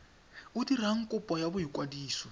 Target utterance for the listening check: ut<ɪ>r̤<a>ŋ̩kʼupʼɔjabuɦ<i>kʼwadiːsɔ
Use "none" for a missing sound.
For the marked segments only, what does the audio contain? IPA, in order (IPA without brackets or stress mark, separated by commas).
i, a, i